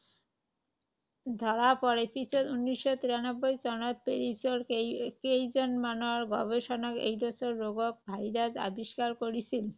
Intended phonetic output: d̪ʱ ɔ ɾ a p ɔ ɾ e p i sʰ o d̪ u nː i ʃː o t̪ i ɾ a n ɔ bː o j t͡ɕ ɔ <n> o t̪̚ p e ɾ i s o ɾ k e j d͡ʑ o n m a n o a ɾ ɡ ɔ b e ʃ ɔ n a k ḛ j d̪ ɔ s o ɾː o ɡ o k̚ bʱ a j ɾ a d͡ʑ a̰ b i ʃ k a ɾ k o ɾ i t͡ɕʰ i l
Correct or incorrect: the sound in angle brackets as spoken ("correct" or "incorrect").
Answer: correct